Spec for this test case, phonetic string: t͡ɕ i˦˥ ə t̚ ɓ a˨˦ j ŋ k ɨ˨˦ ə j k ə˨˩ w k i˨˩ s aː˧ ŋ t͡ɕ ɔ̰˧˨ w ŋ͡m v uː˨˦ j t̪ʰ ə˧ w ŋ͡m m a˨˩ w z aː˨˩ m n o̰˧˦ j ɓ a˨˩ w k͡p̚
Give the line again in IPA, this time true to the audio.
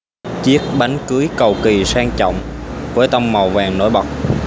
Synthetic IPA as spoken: t͡ɕ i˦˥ ə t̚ ɓ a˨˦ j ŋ k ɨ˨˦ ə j k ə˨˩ w k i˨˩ s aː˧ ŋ t͡ɕ ɔ̰˧˨ w ŋ͡m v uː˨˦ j t̪ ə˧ w ŋ͡m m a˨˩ w v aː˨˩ ŋ n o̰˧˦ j ɓ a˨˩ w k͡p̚